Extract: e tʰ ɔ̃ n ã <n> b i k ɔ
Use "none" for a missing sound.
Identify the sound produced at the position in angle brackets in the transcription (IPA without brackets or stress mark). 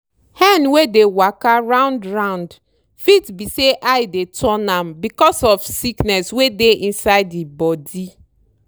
m